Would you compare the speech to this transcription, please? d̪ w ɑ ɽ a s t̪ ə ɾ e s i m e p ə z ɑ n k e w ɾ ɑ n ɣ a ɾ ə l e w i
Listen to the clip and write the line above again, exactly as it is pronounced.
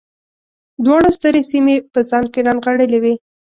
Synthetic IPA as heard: d̪ w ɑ ɽ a s t̪ ə ɾ e s i m e p ə z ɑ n k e ɾ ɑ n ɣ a ɽ ə l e w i